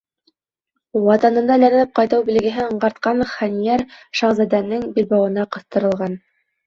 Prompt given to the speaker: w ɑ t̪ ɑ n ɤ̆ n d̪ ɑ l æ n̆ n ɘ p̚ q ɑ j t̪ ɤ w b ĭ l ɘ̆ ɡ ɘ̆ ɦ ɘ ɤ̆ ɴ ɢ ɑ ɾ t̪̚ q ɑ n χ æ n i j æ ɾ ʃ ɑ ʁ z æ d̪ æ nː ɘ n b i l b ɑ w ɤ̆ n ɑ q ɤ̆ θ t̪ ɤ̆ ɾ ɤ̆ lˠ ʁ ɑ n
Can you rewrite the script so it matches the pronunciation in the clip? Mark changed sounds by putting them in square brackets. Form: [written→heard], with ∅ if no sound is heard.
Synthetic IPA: w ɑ t̪ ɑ n ɤ̆ n d̪ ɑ l æ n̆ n ɘ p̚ q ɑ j t̪ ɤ w b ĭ l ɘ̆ ɡ ɘ̆ ɦ ɘ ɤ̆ ɴ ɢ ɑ ɾ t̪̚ q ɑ n χ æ n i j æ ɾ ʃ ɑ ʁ z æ d̪ æ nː ɘ [n→ŋ] b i l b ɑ w ɤ̆ n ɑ q ɤ̆ θ t̪ ɤ̆ ɾ ɤ̆ lˠ ʁ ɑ n